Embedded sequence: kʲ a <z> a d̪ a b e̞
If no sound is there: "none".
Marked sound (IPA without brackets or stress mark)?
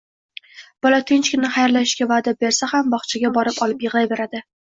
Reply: v